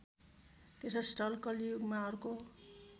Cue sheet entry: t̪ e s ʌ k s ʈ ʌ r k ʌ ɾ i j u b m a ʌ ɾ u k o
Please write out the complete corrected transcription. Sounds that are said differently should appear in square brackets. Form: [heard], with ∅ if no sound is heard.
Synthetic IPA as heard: t̪ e s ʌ [∅] s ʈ ʌ [l] k ʌ [l] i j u [ɡ] m a ʌ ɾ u k o